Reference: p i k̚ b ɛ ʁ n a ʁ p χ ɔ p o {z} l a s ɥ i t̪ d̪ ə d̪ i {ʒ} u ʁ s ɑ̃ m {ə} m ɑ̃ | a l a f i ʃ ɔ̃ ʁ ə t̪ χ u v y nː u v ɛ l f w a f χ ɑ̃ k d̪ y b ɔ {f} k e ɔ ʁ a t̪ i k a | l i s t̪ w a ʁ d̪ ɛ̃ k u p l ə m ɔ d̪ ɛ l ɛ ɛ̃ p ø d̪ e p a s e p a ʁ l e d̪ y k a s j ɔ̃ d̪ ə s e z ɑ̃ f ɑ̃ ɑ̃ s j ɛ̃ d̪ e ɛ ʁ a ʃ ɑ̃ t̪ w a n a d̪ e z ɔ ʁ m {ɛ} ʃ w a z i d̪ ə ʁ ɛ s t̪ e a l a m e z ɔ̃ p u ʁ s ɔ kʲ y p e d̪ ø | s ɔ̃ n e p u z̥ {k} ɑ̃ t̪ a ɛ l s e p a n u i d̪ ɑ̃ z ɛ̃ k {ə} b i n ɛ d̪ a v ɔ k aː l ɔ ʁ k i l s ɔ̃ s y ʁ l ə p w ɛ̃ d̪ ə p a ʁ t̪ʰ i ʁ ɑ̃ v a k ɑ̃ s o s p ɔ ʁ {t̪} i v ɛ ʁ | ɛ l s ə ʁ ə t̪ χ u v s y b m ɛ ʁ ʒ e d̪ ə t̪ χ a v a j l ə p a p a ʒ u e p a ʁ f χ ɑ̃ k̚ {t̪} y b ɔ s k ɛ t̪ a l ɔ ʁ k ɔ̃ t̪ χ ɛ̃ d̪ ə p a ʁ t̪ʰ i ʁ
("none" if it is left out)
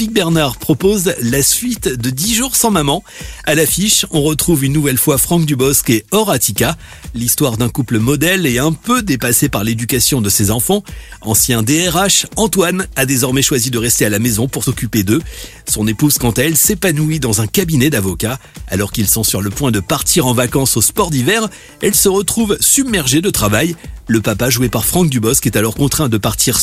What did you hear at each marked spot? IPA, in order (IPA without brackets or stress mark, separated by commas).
z, ʒ, a, s, ɛ, k, a, d̪, d̪